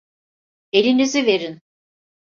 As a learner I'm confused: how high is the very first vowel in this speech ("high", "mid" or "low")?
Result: mid